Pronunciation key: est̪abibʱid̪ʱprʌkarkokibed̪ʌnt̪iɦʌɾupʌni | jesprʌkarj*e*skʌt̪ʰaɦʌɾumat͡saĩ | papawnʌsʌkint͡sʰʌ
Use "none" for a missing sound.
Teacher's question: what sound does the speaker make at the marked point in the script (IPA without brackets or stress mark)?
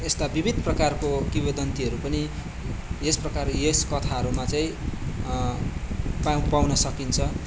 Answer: e